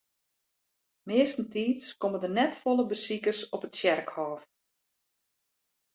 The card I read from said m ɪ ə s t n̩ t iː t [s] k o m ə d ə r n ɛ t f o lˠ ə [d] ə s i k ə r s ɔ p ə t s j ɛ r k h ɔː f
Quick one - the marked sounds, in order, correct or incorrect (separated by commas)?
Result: correct, incorrect